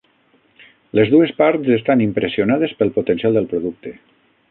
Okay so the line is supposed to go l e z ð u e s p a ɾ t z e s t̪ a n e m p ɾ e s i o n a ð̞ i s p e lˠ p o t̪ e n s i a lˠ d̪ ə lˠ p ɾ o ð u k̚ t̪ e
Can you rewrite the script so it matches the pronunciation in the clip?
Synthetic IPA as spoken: l e z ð u e s p a ɾ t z e s t̪ a n i m p ɾ e s i o n a ð̞ e s p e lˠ p o t̪ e n s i a lˠ d̪ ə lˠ p ɾ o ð u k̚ t̪ e

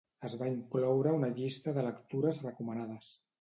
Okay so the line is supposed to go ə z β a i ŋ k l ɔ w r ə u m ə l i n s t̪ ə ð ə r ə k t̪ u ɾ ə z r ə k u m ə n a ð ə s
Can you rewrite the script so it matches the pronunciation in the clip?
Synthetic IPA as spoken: ə z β a i ŋ k l ɔ w ɾ ə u n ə ʎ i s t̪ ə ð ə l ə k t̪ u ɾ ə z r ə k u m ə n a ð ə s

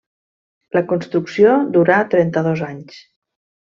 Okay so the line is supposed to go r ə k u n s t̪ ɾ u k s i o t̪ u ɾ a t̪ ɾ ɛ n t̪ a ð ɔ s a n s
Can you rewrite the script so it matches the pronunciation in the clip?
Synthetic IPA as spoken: l ə k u n s t̪ ɾ u k s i o d̪ u ɾ a t̪ ɾ ɛ n t̪ ə ð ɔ z a ɲ s

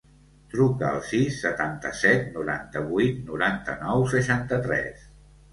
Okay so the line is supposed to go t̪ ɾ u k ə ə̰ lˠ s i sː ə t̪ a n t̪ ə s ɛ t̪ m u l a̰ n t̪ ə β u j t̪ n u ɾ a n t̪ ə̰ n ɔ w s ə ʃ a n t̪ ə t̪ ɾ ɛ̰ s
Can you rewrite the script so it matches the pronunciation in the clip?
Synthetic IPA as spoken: t̪ ɾ u k ə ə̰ lˠ s i sː ə t̪ a n t̪ ə s ɛ t̪ n u ɾ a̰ n t̪ ə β u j t̪ n u ɾ a n t̪ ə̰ n ɔ w s ə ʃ a n t̪ ə t̪ ɾ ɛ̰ s

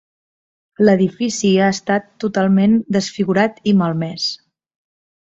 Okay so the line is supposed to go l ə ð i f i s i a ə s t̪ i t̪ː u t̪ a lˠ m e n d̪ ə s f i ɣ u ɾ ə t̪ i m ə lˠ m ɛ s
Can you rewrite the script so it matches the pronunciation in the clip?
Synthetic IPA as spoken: l ə ð i f i s i a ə s t̪ a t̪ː u t̪ a lˠ m e n d̪ ə s f i ɣ u ɾ a t̪ i m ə lˠ m ɛ s

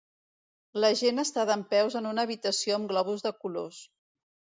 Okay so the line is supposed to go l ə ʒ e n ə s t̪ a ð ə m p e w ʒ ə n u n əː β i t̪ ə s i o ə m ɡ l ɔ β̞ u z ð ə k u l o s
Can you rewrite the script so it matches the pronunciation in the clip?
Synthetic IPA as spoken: l ə ʒ e n ə s t̪ a ð ə m p ɛ w z ə n u n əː β i t̪ ə s i o ə m ɡ l ɔ β̞ u z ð ə k u l o s

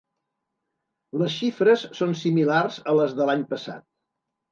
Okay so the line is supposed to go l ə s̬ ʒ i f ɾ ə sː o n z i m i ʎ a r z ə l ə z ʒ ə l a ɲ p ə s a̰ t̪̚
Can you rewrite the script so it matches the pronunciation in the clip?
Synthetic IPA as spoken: l ə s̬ ʃ i f ɾ ə sː o n s i m i l a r z ə l ə z ð ə l a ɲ p ə s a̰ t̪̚

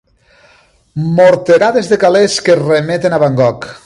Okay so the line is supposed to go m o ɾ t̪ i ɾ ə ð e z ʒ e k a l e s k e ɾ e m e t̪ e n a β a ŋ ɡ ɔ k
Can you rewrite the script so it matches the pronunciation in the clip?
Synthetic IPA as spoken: m o ɾ t̪ e ɾ a ð e z ð e k a l e s k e r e m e t̪ e n a β a ŋ ɡ ɔ k

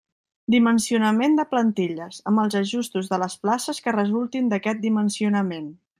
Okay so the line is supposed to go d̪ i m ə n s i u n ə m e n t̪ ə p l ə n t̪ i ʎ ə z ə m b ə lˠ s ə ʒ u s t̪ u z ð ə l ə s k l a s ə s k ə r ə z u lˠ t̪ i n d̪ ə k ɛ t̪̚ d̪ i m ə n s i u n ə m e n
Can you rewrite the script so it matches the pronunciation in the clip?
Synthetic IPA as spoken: d̪ i m ə n s i u n ə m e n d̪ ə p l ə n t̪ i ʎ ə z ə m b ə lˠ z ə ʒ u s t̪ u z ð ə l ə s p l a s ə s k ə r ə z u lˠ t̪ i n d̪ ə k ɛ t̪̚ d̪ i m ə n s i u n ə m e n

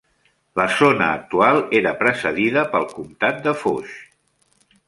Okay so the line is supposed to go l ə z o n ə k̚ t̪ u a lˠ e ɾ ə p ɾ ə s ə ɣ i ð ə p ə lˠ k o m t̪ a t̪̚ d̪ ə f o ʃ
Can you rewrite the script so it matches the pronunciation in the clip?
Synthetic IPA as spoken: l ə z o n əː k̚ t̪ u a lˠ e ɾ ə p ɾ ə s ə ð i ð ə p ə lˠ k u m t̪ a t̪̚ d̪ ə f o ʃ

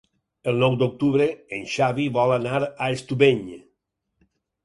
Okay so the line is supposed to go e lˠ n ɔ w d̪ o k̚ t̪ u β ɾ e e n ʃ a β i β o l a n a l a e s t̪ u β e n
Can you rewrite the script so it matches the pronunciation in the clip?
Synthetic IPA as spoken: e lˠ n ɔ w d̪ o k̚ t̪ u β ɾ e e n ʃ a β i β ɔ l a n a ɾ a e s t̪ u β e ɲ

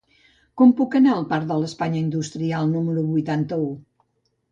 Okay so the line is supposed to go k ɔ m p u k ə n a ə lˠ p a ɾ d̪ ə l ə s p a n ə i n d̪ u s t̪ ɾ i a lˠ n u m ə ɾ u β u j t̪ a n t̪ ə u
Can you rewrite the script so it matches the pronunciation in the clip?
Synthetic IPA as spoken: k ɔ m p u k ə n a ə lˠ p a ɾ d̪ ə l ə s p a ɲ ə i n d̪ u s t̪ ɾ i a lˠ n u m ə ɾ u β u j t̪ a n t̪ ə u

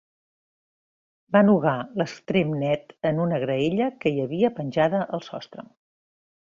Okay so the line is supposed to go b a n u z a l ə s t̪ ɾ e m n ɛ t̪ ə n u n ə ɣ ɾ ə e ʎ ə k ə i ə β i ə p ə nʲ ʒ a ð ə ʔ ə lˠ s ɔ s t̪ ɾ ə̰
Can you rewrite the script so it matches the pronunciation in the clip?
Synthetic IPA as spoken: b a n u ɣ a l ə s t̪ ɾ e m n ɛ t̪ ə n u n ə ɣ ɾ ə e ʎ ə k ə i ə β i ə p ə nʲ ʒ a ð ə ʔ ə lˠ s ɔ s t̪ ɾ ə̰

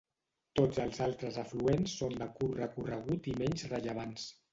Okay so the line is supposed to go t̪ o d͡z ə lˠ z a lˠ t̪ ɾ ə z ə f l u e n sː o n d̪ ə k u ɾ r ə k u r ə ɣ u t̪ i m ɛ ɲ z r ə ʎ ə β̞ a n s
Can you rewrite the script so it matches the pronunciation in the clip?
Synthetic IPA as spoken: t̪ o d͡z ə lˠ z a lˠ t̪ ɾ ə z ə f l u e n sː o n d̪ ə k u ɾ r ə k u r ə ɣ u t̪ i m ɛ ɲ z r ə ʎ ə β̞ a n s

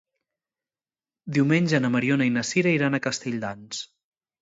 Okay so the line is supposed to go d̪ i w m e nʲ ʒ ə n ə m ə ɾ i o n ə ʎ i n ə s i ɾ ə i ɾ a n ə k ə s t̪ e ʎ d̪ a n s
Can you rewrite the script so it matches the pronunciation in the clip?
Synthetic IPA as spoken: d̪ i w m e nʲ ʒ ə n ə m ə ɾ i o n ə i n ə s i ɾ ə i ɾ a n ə k ə s t̪ e ʎ d̪ a n s

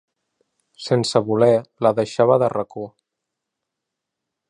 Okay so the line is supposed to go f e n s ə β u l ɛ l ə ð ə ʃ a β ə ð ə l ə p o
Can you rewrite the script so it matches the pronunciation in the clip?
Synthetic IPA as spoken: s e n s ə β u l ɛ l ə ð ə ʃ a β ə ð ə r ə k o

